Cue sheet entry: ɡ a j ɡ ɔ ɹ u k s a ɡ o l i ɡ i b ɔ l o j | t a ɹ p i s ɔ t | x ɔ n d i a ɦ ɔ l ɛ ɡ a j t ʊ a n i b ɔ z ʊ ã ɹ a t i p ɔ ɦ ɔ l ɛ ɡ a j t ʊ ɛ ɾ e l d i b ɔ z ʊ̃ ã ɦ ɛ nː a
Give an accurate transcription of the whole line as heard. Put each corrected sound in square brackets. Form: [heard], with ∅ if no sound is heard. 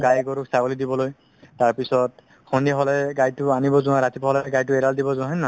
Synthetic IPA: ɡ a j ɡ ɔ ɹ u k s a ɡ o l i [d] i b ɔ l o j | t a ɹ p i s ɔ t | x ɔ n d i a ɦ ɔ l ɛ ɡ a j t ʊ a n i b ɔ z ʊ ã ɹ a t i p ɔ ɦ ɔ l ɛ ɡ a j t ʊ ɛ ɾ [a] l d i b ɔ z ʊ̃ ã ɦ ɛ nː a